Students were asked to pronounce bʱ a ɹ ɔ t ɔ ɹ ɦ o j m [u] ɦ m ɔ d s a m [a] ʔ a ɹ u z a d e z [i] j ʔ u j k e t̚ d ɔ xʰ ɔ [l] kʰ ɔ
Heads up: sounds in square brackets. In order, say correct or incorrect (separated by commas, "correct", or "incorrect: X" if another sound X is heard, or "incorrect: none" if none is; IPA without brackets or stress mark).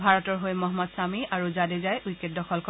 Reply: incorrect: ɔ, incorrect: i, incorrect: a, correct